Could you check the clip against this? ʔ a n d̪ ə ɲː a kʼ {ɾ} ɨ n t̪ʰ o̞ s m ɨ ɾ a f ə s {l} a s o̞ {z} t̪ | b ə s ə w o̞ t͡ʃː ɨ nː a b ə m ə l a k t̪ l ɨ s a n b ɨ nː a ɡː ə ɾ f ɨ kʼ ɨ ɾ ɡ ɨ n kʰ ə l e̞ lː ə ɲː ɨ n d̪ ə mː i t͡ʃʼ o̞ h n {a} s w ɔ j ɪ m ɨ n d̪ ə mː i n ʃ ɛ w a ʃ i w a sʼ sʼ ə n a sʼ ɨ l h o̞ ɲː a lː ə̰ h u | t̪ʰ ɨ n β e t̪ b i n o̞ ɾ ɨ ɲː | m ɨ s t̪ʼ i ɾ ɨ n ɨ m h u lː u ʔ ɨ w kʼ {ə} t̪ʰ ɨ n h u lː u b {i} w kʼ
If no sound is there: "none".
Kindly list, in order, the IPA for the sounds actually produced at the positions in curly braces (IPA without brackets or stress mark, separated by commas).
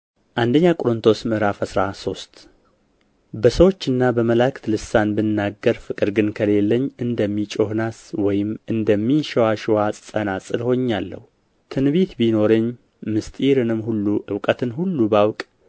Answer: ɾ, ɾ, s, a, ə, a